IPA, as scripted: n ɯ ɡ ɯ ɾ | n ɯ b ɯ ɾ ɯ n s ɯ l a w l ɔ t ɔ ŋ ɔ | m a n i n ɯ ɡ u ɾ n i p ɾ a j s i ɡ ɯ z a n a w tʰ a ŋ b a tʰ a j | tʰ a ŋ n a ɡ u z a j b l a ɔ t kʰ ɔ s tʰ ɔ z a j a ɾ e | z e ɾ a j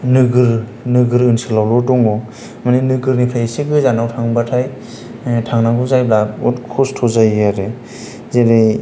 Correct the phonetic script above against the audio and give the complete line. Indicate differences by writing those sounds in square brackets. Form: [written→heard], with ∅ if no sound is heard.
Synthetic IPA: n ɯ ɡ ɯ ɾ | n ɯ [b→ɡ] ɯ ɾ ɯ n s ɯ l a w l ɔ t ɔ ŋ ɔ | m a n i n ɯ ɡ [u→ɯ] ɾ n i [p→pʰ] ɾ a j s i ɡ ɯ z a n a w tʰ a ŋ b a tʰ a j | tʰ a ŋ n a ɡ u z a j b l a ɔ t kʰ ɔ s tʰ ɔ z a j a ɾ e | z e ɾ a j